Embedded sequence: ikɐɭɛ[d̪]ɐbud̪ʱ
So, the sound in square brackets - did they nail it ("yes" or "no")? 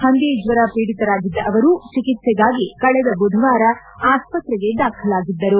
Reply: yes